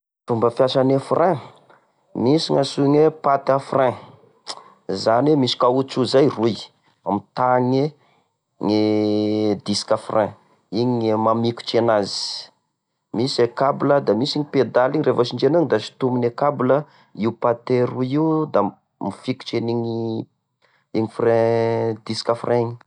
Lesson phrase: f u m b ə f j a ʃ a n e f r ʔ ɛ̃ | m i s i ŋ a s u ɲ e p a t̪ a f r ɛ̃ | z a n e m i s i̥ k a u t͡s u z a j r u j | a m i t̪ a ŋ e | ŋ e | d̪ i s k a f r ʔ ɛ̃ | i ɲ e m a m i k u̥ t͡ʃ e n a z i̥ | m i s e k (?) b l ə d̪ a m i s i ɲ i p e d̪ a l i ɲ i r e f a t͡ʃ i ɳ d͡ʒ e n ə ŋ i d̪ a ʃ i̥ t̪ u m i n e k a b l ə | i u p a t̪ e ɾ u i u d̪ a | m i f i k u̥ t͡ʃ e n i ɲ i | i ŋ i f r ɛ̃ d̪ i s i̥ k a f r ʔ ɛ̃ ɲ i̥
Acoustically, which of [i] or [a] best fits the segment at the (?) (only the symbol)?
a